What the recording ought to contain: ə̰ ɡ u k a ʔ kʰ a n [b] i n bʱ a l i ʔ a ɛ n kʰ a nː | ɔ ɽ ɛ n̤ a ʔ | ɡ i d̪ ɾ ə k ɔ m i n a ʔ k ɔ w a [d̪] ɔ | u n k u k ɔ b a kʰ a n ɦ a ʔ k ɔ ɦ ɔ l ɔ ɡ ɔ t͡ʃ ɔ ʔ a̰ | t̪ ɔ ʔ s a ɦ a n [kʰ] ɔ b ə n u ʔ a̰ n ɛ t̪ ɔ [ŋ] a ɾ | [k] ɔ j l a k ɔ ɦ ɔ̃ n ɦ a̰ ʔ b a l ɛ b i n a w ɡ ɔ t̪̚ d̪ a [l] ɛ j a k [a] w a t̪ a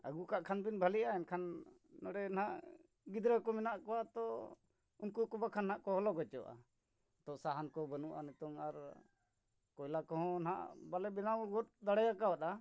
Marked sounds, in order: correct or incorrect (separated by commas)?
correct, incorrect, incorrect, correct, correct, incorrect, correct